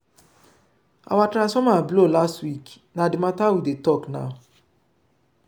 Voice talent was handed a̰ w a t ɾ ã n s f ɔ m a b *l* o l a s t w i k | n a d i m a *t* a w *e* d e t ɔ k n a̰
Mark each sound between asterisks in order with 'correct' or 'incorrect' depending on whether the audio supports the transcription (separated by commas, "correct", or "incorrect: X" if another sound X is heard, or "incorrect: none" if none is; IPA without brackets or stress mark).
correct, correct, incorrect: i